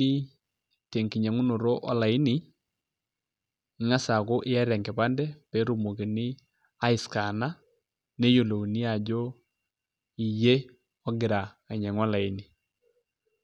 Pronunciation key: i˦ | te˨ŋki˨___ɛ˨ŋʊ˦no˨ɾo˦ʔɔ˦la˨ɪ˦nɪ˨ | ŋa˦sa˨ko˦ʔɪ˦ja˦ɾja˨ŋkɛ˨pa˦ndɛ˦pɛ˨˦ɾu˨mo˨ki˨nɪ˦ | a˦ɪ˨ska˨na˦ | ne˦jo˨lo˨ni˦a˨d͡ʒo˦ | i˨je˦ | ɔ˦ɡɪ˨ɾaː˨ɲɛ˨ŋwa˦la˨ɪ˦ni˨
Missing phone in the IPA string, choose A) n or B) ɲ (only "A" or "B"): B